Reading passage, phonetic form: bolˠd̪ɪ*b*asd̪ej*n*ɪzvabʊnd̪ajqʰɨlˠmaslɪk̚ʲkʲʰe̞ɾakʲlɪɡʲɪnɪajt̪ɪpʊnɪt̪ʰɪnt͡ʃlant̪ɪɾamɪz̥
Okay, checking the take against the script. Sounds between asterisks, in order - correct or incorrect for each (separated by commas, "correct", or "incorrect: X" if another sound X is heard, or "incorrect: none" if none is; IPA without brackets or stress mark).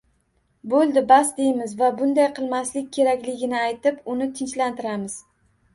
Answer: correct, incorrect: m